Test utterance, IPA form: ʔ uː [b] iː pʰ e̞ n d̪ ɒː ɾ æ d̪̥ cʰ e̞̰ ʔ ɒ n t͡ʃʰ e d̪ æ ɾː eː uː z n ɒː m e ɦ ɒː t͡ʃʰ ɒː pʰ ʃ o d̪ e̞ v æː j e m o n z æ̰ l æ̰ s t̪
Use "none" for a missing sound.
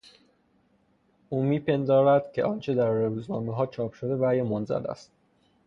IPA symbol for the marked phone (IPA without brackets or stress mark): m